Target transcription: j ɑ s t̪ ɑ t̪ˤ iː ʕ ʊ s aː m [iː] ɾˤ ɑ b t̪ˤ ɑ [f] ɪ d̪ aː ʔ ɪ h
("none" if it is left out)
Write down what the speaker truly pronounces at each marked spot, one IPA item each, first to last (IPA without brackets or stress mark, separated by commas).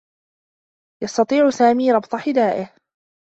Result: iː, ħ